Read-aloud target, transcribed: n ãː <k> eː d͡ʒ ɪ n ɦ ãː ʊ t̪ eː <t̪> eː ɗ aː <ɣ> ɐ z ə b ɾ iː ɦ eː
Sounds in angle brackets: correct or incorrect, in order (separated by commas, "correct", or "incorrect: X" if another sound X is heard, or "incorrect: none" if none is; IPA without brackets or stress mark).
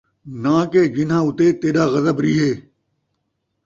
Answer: correct, correct, correct